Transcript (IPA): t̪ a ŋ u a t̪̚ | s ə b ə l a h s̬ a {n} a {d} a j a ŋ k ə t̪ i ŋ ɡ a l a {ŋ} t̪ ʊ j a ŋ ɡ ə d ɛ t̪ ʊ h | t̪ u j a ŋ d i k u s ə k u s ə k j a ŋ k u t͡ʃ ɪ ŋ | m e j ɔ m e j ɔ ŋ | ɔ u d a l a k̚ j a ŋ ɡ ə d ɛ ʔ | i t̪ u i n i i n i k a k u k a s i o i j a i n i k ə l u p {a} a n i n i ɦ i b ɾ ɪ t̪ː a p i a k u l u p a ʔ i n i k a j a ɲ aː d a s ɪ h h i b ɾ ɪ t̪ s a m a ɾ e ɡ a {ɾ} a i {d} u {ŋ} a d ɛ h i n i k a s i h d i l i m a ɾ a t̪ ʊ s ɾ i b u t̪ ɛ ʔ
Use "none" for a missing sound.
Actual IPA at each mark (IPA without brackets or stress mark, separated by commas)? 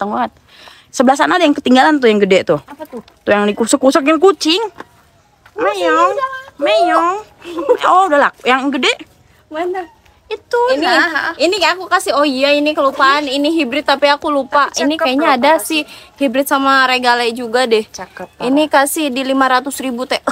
n, d, n, a, l, d͡ʒ, ɡ